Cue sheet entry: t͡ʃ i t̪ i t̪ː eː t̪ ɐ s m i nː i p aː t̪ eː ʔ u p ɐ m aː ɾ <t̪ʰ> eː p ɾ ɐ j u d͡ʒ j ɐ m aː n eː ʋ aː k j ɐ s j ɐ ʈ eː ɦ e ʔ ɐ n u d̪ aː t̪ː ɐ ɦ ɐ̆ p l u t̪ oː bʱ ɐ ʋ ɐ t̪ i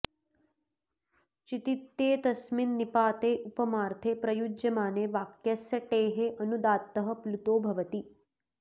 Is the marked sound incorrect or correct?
correct